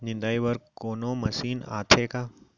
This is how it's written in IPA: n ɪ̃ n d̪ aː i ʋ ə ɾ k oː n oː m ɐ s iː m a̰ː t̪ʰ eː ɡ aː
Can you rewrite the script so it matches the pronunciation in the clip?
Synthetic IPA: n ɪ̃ n d̪ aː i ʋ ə ɾ k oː n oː m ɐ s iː n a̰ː t̪ʰ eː k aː